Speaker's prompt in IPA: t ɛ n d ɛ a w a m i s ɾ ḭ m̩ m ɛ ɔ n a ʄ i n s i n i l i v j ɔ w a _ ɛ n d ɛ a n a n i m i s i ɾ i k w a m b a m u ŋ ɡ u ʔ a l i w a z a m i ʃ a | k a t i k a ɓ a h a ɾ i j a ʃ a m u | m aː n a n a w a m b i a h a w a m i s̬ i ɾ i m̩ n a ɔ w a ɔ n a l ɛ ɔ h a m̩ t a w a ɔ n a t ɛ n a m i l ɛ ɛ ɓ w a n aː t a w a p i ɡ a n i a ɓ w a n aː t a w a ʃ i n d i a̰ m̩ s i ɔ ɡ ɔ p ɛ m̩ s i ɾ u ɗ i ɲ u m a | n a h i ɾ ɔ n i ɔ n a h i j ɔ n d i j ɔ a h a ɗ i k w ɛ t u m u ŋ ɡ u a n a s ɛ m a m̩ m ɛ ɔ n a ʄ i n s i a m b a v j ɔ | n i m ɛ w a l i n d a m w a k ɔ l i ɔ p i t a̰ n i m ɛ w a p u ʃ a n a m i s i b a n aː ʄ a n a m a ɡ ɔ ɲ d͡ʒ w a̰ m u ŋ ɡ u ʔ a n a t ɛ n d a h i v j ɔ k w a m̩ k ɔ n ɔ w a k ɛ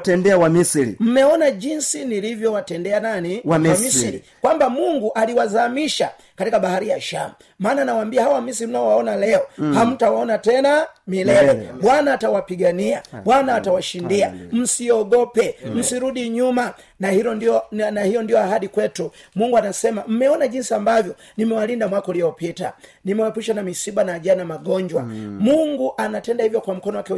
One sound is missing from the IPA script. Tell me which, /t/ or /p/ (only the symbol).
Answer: t